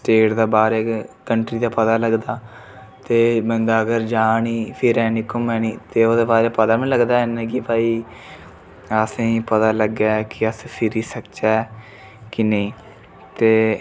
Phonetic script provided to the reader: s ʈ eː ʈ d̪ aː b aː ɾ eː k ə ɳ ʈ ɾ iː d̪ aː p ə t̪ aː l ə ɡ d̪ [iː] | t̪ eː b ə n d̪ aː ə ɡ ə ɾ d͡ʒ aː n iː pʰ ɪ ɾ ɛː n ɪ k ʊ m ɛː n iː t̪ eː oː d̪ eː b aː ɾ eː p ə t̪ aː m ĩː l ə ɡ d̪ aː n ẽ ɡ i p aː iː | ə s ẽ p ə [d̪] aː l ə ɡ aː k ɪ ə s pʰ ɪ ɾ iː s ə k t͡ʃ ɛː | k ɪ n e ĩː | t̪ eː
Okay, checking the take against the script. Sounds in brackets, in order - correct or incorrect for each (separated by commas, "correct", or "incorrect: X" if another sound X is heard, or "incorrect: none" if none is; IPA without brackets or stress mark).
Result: incorrect: aː, incorrect: t̪